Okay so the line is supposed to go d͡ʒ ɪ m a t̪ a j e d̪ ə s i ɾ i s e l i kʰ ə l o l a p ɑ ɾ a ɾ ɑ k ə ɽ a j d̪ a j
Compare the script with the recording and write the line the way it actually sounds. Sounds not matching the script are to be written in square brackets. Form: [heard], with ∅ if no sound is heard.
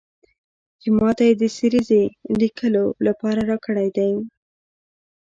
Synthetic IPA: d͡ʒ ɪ m [ɑ] t̪ a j e d̪ ə s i ɾ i [z] e l i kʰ ə l o l a p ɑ ɾ a ɾ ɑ k ə ɽ a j d̪ a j